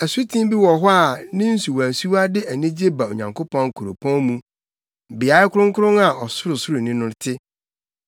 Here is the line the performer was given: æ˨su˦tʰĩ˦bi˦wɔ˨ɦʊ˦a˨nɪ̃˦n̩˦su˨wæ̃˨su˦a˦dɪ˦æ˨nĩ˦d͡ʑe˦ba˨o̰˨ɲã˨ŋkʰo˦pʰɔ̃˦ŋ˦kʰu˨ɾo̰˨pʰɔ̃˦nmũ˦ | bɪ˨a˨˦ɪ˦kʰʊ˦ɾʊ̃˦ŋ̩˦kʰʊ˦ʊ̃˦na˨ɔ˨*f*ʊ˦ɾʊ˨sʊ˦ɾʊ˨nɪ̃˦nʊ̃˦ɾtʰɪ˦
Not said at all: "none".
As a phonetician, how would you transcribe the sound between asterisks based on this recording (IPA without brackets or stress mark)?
s